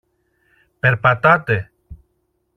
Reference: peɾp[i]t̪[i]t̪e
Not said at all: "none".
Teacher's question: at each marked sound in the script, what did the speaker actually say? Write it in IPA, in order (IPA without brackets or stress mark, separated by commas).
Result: a, a